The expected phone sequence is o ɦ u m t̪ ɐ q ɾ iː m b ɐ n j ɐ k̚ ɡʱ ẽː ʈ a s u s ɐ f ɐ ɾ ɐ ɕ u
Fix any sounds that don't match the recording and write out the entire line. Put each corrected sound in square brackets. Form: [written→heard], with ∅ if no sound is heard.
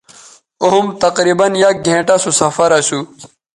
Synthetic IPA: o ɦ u m t̪ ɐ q ɾ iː [m→∅] b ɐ n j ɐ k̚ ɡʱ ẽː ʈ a s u s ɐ f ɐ ɾ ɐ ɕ u